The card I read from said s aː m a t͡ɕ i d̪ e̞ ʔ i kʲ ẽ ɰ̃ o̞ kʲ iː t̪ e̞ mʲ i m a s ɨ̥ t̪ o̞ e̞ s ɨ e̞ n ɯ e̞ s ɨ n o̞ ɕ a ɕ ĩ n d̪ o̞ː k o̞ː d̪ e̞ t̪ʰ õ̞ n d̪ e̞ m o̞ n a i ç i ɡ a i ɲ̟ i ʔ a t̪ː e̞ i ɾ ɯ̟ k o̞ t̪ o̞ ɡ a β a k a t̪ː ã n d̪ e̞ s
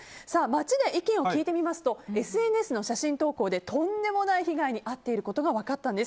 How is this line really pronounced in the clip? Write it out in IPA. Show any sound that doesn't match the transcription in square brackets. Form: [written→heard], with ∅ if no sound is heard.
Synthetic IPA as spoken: s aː m a t͡ɕ i d̪ e̞ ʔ i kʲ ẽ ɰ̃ o̞ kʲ iː t̪ e̞ mʲ i m a s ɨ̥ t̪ o̞ e̞ s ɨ e̞ n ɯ e̞ s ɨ n o̞ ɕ a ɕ ĩ n [d̪→t̪] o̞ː k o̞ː d̪ e̞ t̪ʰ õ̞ n d̪ e̞ m o̞ n a i ç i ɡ a i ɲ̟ i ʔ a t̪ː e̞ i ɾ ɯ̟ k o̞ t̪ o̞ ɡ a β a k a t̪ː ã n d̪ e̞ s